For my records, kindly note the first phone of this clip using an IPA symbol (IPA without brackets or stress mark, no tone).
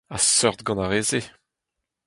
a